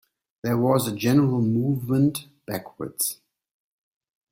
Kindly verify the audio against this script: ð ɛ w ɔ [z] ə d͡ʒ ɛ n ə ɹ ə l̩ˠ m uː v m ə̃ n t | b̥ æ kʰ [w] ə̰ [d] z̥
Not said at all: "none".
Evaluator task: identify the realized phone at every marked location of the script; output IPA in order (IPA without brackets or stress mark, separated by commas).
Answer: z, w, d